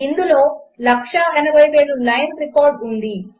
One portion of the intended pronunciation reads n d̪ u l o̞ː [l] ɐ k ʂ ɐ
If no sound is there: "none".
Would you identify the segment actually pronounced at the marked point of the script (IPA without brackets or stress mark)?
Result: l